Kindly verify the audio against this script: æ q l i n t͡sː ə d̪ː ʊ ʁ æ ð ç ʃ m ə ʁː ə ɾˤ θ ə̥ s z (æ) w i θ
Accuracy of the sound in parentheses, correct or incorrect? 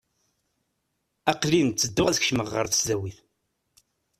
correct